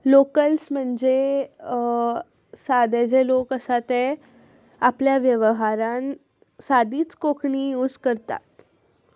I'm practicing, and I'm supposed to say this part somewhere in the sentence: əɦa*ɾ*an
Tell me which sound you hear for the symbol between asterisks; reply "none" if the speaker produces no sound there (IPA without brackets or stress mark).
ɾ